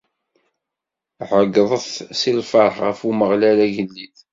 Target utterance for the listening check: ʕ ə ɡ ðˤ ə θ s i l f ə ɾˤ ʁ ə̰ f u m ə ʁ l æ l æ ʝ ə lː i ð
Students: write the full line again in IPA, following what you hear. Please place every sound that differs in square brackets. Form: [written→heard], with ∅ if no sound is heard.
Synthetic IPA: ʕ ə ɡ ðˤ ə θ s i l f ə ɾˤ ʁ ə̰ f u m ə ʁ l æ l æ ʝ ə lː i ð